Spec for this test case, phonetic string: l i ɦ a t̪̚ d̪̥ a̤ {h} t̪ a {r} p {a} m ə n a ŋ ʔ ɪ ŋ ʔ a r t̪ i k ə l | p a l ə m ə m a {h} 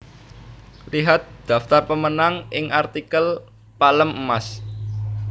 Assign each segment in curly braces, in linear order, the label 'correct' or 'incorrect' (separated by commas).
incorrect, correct, incorrect, incorrect